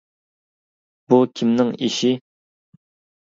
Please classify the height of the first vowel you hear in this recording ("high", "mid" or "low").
high